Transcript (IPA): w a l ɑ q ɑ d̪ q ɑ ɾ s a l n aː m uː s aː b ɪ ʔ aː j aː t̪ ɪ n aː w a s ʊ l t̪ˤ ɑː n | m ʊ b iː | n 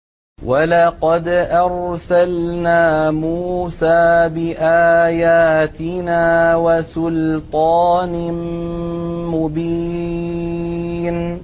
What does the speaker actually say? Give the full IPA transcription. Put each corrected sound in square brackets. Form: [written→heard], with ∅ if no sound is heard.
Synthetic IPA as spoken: w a l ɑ q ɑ d̪ [q→ʔ] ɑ ɾ s a l n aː m uː s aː b ɪ ʔ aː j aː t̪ ɪ n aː w a s ʊ l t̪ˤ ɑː n | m ʊ b iː | n